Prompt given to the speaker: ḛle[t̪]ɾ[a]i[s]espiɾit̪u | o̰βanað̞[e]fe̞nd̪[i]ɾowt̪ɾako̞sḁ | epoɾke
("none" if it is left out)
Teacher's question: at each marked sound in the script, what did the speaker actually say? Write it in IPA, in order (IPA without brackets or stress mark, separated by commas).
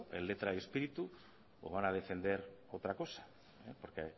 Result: t̪, a, none, e, e